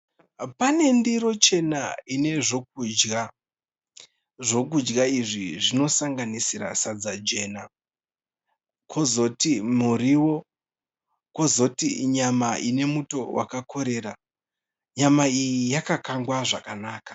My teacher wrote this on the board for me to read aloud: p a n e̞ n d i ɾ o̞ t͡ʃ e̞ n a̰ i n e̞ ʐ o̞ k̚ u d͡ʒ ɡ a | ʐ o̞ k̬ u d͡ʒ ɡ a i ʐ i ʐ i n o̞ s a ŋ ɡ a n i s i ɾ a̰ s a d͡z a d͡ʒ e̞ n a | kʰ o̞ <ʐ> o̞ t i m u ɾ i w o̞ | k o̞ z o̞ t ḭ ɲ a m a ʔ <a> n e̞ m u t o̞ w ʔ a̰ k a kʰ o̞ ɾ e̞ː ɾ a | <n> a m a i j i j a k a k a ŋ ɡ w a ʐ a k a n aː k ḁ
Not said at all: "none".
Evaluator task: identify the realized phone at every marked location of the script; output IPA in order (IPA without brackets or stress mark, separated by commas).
z, i, ɲ